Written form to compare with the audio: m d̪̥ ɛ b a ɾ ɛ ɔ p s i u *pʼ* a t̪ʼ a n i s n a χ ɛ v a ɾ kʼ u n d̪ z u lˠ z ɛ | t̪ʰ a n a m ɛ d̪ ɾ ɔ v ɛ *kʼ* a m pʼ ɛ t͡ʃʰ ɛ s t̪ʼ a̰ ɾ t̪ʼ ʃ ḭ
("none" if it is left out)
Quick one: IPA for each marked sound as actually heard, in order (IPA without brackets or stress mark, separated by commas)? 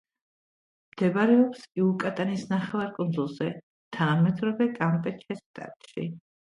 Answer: kʼ, kʼ